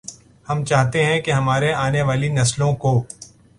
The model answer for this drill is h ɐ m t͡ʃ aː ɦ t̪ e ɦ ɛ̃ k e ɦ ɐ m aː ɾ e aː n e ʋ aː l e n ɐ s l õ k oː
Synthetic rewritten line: h ɐ m t͡ʃ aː ɦ t̪ e ɦ ɛ̃ k e ɦ ɐ m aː ɾ e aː n e ʋ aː l i n ɐ s l õ k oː